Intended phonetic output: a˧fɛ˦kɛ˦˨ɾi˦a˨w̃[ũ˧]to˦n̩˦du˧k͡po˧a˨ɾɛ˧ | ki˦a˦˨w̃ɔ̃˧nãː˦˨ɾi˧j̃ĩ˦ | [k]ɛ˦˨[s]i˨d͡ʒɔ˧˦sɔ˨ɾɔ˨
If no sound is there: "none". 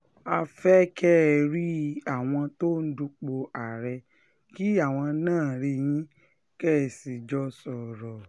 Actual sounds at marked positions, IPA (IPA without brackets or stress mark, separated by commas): ɔ̃˧, k, s